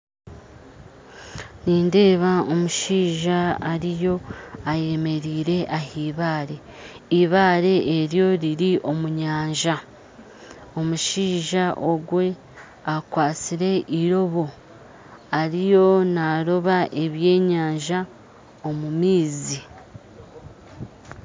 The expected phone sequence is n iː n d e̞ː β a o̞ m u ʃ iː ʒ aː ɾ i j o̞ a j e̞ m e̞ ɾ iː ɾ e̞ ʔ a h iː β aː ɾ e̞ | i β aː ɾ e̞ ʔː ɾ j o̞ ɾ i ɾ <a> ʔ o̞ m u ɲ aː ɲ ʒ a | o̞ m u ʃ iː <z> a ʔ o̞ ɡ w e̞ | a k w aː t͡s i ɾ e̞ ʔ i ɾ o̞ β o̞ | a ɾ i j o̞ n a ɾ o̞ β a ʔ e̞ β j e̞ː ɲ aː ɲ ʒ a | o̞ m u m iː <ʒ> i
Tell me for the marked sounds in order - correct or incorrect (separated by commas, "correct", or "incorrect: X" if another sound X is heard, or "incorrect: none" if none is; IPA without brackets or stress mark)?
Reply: incorrect: i, incorrect: ʒ, incorrect: z